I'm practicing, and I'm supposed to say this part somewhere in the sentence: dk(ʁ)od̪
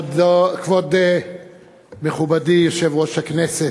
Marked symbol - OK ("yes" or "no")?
no